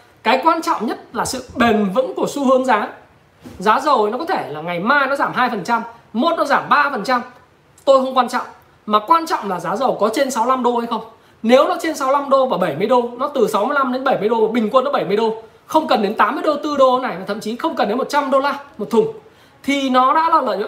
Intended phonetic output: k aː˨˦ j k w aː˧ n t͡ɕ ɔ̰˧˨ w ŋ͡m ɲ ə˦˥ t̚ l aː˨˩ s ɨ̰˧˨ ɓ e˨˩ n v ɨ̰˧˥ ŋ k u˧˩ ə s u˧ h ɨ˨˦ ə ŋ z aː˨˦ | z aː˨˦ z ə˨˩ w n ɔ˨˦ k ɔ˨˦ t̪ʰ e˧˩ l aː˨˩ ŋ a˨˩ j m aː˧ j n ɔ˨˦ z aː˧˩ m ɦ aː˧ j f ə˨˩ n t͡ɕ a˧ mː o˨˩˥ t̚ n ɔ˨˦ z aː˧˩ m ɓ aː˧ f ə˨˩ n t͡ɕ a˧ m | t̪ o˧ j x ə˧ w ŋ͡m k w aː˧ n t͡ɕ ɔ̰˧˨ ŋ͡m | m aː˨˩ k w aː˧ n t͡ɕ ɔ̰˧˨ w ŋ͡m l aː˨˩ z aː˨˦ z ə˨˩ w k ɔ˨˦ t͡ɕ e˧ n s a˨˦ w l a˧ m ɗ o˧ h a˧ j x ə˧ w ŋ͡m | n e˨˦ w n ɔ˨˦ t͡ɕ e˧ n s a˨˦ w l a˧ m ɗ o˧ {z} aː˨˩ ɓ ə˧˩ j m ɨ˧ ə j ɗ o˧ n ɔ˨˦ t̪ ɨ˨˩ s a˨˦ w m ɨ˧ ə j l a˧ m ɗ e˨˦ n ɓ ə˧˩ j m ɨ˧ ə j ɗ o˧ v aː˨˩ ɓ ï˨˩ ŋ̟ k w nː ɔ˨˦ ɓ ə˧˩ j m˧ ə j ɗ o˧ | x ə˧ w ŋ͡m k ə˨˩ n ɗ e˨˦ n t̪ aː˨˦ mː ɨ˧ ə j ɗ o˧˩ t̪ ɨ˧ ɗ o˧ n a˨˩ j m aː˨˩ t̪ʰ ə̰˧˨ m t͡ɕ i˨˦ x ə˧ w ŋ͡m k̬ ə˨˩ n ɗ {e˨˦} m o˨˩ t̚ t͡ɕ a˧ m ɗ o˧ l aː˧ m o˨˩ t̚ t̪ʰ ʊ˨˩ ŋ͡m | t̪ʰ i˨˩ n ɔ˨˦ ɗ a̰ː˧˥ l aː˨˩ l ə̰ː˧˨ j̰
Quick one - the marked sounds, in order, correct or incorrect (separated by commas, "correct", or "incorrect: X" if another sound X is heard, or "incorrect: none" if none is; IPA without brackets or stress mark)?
incorrect: v, correct